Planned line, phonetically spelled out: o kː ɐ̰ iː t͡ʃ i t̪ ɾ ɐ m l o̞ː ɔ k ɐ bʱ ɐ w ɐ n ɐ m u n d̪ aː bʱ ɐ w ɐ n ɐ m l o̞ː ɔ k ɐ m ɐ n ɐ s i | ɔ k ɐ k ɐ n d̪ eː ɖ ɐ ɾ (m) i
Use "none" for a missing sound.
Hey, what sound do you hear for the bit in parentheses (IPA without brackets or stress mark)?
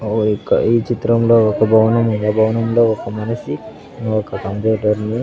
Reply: n